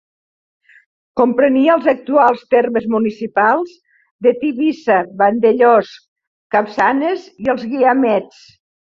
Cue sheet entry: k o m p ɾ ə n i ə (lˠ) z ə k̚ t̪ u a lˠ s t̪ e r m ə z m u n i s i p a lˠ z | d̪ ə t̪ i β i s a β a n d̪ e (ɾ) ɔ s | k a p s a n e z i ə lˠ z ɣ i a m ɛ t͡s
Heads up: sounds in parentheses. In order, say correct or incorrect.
correct, incorrect: ʎ

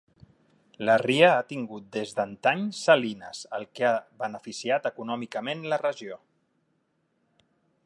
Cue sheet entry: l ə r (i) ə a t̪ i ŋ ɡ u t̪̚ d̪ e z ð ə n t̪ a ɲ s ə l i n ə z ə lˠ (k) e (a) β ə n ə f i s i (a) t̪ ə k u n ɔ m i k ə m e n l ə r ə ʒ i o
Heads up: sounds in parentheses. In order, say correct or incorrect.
correct, correct, correct, correct

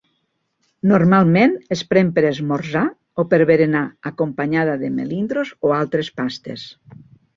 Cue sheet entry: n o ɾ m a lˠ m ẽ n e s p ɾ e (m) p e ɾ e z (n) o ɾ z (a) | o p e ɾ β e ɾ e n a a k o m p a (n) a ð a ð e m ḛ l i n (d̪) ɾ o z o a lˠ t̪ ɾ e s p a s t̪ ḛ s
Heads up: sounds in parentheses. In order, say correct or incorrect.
correct, incorrect: m, correct, incorrect: ɲ, correct

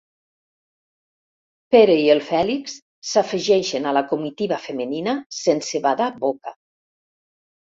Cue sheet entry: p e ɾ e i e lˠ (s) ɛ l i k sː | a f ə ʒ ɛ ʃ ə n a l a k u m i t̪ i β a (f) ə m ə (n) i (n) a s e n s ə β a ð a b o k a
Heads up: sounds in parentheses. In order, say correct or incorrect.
incorrect: f, correct, correct, correct

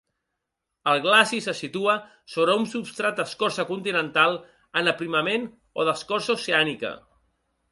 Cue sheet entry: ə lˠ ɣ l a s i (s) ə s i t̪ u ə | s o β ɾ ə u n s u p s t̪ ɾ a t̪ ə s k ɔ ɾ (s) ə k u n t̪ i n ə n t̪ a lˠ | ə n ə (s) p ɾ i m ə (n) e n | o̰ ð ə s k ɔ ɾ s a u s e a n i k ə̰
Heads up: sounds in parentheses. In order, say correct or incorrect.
correct, correct, incorrect: none, incorrect: m

